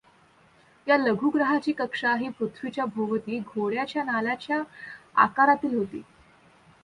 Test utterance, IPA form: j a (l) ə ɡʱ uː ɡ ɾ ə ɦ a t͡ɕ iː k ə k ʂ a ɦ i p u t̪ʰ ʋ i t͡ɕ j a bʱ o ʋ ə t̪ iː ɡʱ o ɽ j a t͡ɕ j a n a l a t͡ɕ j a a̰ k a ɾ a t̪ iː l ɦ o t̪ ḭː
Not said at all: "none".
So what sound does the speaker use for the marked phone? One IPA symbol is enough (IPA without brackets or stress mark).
l